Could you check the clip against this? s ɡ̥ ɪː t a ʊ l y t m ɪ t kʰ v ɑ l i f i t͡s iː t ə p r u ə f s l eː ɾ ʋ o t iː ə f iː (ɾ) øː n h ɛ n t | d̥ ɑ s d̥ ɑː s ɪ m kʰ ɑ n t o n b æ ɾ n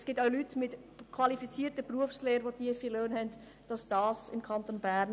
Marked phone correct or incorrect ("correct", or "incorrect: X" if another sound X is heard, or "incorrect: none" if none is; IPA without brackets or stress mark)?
incorrect: l